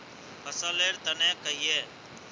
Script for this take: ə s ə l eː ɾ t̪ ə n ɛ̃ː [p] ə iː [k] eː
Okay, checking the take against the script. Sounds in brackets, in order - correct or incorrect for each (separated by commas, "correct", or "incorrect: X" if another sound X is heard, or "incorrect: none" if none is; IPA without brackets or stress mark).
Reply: incorrect: k, incorrect: none